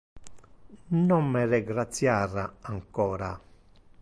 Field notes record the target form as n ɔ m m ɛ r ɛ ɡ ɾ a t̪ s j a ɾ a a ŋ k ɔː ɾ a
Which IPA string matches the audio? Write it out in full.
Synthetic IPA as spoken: n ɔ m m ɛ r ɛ ɡ ɾ a t̪ s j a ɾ a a ŋ k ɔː ɾ a

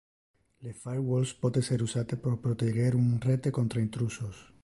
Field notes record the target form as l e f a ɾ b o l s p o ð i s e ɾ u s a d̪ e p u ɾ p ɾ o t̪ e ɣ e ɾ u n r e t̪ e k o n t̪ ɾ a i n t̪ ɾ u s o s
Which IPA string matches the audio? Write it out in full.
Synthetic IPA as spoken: l e f a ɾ w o l s p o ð e s e ɾ u s a t̪ e p o ɾ p ɾ o t̪ e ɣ e ɾ u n r e t̪ e k o n t̪ ɾ a i n t̪ ɾ u s o s

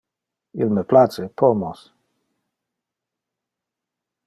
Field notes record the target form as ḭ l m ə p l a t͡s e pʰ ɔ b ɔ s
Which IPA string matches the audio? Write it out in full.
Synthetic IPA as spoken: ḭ l m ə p l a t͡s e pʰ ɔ m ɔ s

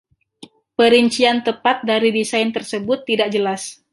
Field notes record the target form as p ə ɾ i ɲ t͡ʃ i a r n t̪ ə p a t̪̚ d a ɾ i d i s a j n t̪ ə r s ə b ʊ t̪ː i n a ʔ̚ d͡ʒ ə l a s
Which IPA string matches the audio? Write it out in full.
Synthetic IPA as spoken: p ə ɾ i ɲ t͡ʃ i a n t̪ ə p a t̪̚ d a ɾ i d i s a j n t̪ ə r s ə b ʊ t̪ː i d a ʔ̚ d͡ʒ ə l a s

